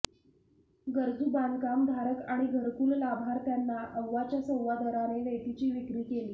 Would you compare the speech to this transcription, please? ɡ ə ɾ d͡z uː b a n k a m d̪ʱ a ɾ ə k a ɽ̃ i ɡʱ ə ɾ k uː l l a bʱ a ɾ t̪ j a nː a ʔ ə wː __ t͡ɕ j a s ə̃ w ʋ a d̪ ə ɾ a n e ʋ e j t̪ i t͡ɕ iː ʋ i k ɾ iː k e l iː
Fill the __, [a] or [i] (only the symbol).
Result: a